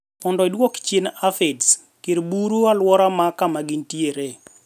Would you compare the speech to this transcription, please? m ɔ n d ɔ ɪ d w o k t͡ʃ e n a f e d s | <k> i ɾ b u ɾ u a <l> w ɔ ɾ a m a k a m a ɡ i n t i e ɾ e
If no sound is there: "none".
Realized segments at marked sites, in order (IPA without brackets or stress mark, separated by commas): k, l